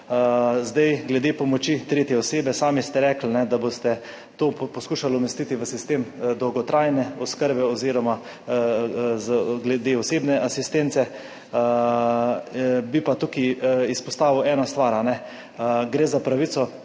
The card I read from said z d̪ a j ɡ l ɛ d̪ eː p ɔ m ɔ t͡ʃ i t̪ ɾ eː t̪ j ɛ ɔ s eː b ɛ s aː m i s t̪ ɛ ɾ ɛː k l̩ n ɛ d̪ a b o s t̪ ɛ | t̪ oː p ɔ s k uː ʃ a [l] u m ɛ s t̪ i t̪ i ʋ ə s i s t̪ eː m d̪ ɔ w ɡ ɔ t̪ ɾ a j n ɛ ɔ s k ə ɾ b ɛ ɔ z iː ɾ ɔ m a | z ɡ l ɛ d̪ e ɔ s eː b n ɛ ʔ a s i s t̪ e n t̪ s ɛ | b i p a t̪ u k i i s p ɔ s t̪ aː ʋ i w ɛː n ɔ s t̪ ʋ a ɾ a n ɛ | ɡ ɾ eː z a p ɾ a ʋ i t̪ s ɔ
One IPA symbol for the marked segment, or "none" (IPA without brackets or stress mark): l